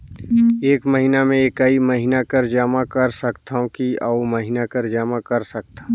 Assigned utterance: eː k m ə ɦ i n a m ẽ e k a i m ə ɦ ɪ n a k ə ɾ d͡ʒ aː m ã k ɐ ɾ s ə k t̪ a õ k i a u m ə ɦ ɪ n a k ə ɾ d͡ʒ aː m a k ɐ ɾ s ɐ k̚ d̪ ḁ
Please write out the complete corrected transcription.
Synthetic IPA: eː k m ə ɦ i n a m ẽ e k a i m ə ɦ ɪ n a k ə ɾ d͡ʒ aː m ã k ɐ ɾ s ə k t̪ a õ k i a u m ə ɦ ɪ n a k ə ɾ d͡ʒ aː m a k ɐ ɾ s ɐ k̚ t̪ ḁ